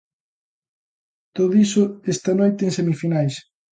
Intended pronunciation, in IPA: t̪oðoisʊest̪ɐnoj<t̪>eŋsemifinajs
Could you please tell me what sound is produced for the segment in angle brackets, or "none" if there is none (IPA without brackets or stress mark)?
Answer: t̪